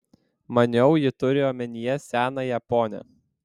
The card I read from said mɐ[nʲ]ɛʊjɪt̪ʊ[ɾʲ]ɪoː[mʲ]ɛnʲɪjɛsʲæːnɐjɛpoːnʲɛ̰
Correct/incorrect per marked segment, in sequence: correct, correct, correct

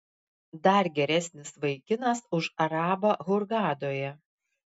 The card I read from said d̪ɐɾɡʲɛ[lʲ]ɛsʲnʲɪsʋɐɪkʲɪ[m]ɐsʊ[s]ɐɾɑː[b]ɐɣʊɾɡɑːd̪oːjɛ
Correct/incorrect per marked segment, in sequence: incorrect, incorrect, incorrect, correct

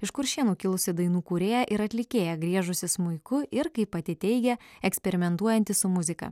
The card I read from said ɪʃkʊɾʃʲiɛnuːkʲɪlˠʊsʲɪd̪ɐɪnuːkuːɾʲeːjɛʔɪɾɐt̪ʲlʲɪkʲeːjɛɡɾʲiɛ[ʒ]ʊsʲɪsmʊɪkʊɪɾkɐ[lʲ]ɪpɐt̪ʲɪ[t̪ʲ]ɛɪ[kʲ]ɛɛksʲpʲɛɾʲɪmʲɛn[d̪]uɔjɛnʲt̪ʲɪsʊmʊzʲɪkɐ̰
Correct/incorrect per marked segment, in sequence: correct, incorrect, correct, incorrect, incorrect

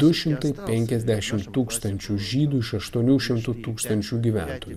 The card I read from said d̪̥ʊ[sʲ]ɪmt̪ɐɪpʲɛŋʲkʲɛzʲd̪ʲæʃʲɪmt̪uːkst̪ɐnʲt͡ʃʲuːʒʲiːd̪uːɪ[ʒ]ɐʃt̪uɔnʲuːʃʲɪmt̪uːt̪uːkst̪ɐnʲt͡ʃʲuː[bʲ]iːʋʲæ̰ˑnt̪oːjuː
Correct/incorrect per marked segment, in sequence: incorrect, incorrect, incorrect

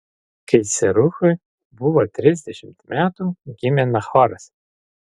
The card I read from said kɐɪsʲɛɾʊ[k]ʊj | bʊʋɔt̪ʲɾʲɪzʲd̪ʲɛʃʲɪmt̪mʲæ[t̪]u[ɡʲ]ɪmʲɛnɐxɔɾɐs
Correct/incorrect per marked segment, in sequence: incorrect, correct, correct

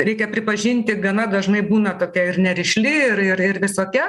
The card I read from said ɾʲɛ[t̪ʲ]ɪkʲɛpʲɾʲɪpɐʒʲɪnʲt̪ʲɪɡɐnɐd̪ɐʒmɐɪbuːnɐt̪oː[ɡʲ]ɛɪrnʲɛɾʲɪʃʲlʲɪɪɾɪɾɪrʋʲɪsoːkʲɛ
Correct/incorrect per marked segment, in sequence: incorrect, incorrect

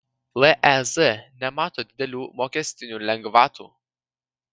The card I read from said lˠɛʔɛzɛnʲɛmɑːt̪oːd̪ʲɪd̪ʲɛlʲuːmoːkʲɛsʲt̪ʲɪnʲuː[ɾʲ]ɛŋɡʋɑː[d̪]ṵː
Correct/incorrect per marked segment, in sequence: incorrect, incorrect

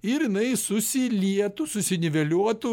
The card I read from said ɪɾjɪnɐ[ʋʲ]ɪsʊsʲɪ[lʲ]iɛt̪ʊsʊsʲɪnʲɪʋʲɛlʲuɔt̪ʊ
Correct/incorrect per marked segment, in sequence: incorrect, correct

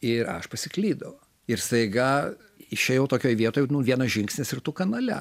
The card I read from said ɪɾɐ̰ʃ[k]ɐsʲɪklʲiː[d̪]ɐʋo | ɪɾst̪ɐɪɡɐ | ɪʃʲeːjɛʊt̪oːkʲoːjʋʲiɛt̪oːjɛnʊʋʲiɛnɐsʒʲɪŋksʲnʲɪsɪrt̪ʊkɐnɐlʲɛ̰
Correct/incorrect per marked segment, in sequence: incorrect, correct

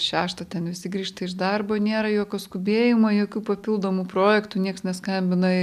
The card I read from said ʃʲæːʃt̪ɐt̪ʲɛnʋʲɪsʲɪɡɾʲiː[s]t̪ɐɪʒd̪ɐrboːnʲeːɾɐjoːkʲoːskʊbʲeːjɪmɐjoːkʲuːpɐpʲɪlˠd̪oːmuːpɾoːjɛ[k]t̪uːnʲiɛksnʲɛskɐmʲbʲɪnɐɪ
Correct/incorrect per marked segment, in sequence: incorrect, correct

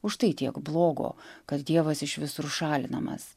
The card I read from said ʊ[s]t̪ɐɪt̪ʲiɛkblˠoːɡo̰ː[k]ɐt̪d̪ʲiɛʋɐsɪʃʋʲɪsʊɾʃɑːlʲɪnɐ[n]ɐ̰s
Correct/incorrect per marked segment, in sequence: incorrect, correct, incorrect

